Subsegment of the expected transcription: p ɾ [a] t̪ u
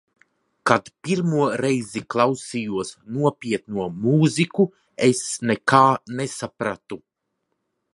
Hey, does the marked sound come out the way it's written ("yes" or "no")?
yes